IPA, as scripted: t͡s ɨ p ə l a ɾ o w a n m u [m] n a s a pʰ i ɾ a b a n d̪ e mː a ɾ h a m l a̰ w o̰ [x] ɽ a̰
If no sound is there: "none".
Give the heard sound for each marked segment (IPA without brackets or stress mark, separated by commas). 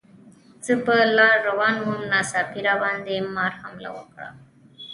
m, k